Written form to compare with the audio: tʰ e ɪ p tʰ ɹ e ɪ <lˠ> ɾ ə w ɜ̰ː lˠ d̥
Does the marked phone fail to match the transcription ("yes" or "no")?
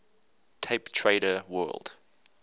yes